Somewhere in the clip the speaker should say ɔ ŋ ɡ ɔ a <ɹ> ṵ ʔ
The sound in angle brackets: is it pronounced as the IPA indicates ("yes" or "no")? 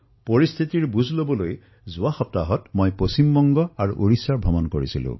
yes